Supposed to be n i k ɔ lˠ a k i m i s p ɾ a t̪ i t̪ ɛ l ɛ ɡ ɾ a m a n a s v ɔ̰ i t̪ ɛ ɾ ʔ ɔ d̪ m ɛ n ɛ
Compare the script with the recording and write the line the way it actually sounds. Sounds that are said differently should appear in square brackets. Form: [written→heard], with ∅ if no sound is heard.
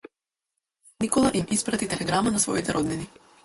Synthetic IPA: n i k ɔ lˠ a [k→ʔ] i m i s p ɾ a t̪ i t̪ ɛ l ɛ ɡ ɾ a m a n a s v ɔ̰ i t̪ ɛ ɾ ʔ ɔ d̪ [m→n] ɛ n [ɛ→i]